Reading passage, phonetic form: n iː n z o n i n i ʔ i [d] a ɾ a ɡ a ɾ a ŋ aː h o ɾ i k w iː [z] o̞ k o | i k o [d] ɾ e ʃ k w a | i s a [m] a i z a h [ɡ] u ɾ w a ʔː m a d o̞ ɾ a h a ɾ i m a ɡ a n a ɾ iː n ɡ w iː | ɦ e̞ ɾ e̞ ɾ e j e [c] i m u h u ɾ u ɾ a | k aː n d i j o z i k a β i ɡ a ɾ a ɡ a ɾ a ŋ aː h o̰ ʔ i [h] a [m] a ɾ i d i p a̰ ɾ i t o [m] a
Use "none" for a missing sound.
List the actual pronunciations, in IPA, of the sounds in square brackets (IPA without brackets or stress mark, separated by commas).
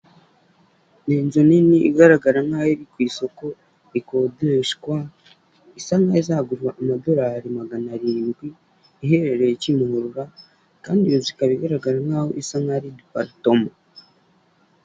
ɡ, s, d, ŋ, ɡ, c, s, ŋ, m